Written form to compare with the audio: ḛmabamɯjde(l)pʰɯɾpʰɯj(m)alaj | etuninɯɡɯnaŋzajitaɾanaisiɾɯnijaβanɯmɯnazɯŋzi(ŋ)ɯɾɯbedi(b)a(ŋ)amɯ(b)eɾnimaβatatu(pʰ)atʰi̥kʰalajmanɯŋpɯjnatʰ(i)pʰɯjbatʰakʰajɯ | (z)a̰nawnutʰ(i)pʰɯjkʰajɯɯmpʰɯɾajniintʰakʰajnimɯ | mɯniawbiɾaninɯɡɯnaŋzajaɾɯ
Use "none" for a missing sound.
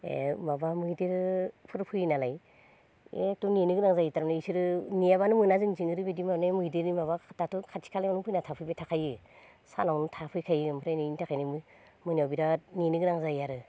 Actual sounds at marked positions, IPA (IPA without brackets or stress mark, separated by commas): ɾ, n, ŋ, m, n, d, kʰ, a, s, a